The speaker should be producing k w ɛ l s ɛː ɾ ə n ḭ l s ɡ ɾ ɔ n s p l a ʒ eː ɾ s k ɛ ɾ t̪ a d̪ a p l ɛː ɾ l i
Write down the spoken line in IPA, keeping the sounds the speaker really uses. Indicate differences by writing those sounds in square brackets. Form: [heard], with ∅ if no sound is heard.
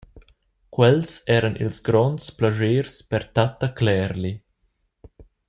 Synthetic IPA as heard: k w ɛ l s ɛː ɾ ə n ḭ l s ɡ ɾ ɔ n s p l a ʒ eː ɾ s [p] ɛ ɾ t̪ a [t̪] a [k] l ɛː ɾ l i

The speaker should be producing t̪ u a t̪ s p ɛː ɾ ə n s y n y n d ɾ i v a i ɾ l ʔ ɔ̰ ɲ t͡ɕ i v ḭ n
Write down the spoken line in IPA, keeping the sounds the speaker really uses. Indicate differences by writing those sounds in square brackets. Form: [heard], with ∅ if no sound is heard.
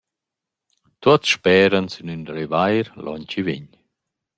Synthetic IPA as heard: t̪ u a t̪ [ʃ] p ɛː ɾ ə n s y n y n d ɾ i v a [j] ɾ l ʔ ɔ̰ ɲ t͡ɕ i v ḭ [ɲ]

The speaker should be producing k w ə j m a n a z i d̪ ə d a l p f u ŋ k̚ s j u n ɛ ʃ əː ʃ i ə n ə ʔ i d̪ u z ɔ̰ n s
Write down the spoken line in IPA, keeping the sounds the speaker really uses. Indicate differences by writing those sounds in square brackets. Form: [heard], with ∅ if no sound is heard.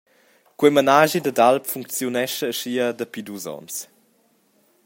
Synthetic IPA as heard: k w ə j m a n a [ʒ] i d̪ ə d a l p f u ŋ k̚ [t͡s] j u n ɛ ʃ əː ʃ i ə [d] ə [p] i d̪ u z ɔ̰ n s

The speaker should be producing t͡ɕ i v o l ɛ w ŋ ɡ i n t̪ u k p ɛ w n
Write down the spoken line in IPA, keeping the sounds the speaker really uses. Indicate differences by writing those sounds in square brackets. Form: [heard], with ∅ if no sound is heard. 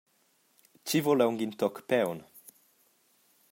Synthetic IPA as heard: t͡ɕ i v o l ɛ w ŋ ɡ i n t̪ [ɔ] k p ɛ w n

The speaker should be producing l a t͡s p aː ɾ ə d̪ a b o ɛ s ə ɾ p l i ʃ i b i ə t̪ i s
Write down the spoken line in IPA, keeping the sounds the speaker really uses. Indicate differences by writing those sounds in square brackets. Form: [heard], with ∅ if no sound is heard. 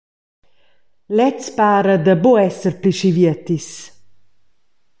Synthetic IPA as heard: l [ɛ] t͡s p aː ɾ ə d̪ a b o ɛ s ə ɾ p l i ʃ i [v] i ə t̪ i s

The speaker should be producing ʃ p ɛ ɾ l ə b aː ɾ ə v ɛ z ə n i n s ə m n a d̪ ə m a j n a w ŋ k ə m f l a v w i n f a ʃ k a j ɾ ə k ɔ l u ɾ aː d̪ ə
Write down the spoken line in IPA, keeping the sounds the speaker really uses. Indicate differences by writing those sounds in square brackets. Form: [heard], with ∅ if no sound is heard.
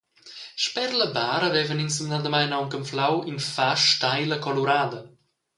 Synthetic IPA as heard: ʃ p ɛ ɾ l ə b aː ɾ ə v ɛ [v] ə n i n s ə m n a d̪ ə m a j n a w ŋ k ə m f l a [∅] w i n f a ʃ [t] a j [l] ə k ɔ l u ɾ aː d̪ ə

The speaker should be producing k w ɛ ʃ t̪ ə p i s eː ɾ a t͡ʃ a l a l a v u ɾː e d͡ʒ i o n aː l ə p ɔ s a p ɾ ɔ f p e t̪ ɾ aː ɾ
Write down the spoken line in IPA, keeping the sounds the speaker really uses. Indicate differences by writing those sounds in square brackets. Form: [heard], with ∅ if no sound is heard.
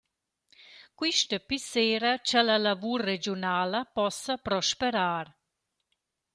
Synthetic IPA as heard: k w [i] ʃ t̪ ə p i s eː ɾ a t͡ʃ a l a l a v u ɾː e d͡ʒ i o n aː l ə p ɔ s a p ɾ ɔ [ʃ] p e [∅] ɾ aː ɾ

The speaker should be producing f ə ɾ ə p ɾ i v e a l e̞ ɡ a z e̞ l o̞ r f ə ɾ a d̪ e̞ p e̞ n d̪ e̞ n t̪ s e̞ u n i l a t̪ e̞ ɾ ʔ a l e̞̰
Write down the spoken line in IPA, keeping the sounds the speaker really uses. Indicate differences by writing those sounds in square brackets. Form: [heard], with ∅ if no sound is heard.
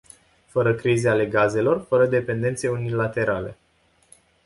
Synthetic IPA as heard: f ə ɾ ə [k] ɾ i [z] e a l e̞ ɡ a z e̞ l o̞ r f ə ɾ [ə] d̪ e̞ p e̞ n d̪ e̞ n t̪ s e̞ u n i l a t̪ e̞ ɾ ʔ a l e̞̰

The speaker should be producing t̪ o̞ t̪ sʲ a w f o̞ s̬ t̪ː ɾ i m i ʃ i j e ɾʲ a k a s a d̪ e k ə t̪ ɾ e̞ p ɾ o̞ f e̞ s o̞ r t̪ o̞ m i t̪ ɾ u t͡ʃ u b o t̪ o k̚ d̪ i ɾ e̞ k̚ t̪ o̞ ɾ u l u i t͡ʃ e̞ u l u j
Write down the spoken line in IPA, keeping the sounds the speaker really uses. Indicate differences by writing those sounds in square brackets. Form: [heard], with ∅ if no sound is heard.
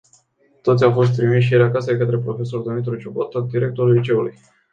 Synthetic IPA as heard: t̪ o̞ t̪ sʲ a w f o̞ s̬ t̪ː ɾ i m i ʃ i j e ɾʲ a k a s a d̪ e k ə t̪ ɾ e̞ p ɾ o̞ f e̞ s o̞ r [d̪] o̞ m i t̪ ɾ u t͡ʃ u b o t̪ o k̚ d̪ i ɾ e̞ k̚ t̪ o̞ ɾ u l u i t͡ʃ e̞ u l u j

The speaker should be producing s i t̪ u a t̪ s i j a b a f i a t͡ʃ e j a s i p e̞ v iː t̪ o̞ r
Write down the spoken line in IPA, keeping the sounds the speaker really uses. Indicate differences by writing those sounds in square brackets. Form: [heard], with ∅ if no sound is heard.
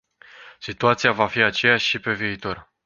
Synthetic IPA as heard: s i t̪ u a t̪ s i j a [v] a f i a t͡ʃ e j a [ʃ] i p e̞ v iː t̪ o̞ r

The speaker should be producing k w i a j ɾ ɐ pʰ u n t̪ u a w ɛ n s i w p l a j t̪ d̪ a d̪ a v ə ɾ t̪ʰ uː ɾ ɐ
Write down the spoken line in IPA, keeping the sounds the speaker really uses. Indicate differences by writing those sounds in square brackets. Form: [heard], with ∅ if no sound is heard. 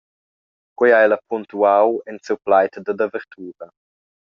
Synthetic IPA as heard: k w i a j [l] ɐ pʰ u n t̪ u a w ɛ n s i w p l a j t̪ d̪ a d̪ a v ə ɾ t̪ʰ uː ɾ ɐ

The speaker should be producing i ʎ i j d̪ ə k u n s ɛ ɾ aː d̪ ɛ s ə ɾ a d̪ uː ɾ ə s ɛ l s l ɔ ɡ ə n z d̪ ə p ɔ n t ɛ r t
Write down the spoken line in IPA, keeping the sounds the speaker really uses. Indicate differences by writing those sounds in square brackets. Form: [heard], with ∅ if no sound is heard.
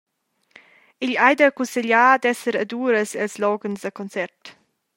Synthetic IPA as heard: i ʎ [a] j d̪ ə k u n s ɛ [ʎ] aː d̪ ɛ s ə ɾ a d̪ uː ɾ ə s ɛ l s l ɔ ɡ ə n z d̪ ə [k] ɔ n [t͡s] ɛ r t

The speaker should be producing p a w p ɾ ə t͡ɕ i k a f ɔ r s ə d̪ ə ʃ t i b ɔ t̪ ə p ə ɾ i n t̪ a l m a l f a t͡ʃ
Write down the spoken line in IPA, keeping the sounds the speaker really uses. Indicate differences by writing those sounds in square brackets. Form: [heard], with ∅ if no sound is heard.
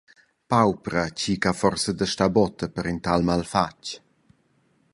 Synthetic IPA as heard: p a w p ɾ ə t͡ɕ i k a f ɔ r s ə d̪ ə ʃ t [a] b ɔ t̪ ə p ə ɾ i n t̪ a l m a l f a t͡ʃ

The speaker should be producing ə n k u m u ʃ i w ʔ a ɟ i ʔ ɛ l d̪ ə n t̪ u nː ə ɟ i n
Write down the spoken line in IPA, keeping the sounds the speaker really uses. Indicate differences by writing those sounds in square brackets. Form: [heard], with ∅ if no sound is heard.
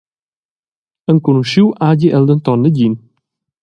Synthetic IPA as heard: ə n k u [n] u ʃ i w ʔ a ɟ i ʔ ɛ l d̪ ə n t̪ [ɔ] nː ə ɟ i n

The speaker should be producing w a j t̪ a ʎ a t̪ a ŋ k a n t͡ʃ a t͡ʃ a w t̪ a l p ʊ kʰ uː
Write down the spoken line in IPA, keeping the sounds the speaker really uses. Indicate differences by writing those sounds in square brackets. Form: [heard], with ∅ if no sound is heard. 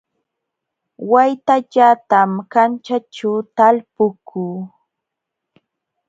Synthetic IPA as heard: w a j t̪ a ʎ a t̪ a [m] k a n t͡ʃ a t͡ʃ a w t̪ a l p ʊ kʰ uː

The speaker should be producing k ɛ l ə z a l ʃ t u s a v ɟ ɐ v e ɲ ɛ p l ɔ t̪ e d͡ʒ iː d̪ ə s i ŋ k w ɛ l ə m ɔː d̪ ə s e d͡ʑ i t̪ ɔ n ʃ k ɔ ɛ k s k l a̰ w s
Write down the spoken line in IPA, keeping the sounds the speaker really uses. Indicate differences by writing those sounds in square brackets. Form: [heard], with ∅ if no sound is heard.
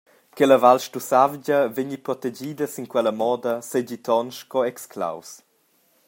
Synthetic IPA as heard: k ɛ l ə [v] a l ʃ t u s a v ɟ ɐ v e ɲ [i] p [ɾ] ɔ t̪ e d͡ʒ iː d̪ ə s i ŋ k w ɛ l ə m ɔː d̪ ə s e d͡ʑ i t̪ ɔ n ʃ k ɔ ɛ k s k l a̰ w s

